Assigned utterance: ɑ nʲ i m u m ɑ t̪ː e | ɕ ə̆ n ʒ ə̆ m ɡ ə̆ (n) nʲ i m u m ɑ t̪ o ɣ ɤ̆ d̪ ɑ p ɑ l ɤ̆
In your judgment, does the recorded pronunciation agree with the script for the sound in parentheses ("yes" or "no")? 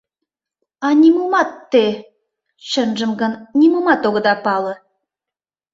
yes